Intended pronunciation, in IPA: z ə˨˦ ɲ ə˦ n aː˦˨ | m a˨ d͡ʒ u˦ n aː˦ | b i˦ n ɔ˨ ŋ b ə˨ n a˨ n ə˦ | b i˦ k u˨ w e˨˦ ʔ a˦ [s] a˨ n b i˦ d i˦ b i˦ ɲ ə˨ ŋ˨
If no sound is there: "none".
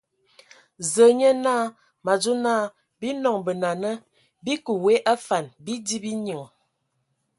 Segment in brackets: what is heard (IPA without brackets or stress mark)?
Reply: f